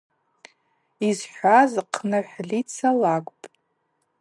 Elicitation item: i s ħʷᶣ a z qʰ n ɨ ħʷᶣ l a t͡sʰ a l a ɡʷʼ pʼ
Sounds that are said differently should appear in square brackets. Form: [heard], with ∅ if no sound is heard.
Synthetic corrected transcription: i [z] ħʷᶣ a z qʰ n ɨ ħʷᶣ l [i] t͡sʰ a l a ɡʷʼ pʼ